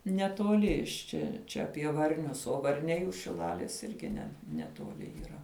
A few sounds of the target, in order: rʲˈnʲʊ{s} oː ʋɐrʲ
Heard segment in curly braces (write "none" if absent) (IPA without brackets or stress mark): s